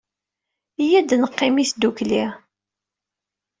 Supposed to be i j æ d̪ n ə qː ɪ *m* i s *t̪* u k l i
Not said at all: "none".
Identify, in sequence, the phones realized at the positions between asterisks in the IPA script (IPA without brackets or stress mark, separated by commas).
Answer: m, d̪